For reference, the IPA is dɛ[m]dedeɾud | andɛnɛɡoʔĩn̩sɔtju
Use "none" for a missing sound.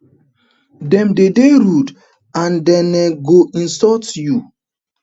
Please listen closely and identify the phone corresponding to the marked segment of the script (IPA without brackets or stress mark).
m